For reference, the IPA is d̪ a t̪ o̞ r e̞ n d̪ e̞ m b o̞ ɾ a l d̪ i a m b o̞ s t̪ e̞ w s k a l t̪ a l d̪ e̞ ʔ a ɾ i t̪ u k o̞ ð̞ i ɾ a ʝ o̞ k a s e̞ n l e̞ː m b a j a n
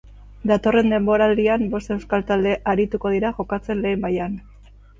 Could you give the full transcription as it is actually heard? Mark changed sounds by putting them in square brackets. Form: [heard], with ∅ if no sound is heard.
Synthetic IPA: d̪ a t̪ o̞ r e̞ n d̪ e̞ m b o̞ ɾ a l d̪ i a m b o̞ s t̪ e̞ w s k a l t̪ a l d̪ e̞ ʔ a ɾ i t̪ u k o̞ ð̞ i ɾ a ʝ o̞ k a [t͡s] e̞ n l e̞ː m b a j a n